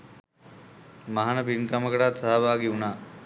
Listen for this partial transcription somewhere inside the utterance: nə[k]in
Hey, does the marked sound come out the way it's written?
no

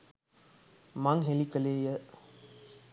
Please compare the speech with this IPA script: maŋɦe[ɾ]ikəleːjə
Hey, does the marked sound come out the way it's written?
no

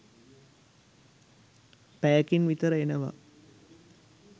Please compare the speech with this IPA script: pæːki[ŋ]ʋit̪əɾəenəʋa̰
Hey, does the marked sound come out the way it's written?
no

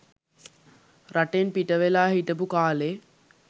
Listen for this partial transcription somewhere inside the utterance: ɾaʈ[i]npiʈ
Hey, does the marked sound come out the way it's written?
no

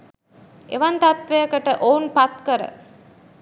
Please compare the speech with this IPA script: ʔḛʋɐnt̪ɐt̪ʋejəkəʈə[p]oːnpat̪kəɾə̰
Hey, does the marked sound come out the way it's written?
no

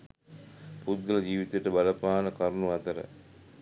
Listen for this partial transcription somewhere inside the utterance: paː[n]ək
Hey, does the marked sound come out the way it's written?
yes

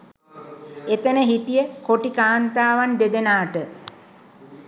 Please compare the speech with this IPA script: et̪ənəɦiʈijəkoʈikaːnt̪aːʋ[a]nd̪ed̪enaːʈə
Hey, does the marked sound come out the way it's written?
yes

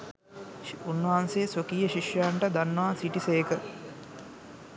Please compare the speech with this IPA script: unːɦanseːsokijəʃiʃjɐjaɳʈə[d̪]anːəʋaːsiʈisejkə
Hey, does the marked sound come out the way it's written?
yes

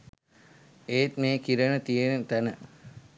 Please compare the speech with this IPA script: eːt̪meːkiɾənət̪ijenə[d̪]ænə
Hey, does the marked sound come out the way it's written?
no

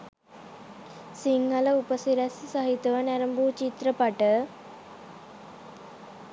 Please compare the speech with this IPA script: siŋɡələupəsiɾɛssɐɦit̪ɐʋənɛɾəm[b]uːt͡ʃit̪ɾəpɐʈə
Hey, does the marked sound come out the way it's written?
yes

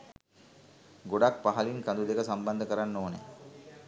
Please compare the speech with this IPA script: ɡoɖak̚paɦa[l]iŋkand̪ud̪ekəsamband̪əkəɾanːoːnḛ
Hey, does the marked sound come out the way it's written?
yes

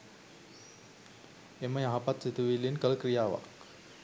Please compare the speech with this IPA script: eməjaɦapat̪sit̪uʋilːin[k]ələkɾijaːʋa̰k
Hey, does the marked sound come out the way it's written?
yes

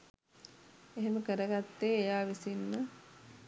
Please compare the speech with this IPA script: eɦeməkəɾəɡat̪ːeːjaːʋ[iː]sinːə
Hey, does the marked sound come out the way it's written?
no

